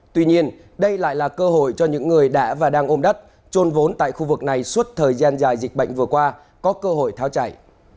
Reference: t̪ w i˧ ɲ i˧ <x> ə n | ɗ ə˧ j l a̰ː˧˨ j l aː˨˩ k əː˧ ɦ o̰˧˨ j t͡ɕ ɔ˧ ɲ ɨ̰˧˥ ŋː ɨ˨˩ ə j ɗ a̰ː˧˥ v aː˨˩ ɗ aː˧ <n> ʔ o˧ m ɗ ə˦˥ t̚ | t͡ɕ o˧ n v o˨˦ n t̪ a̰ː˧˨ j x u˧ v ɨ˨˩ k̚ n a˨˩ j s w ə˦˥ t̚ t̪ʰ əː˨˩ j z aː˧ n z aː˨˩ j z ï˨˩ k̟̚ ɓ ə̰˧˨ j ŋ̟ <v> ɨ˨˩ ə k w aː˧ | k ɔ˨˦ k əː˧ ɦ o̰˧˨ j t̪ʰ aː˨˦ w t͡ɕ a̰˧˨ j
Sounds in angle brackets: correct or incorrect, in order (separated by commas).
incorrect, incorrect, correct